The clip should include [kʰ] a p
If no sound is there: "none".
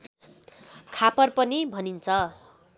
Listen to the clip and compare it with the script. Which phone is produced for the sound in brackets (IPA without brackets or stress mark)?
kʰ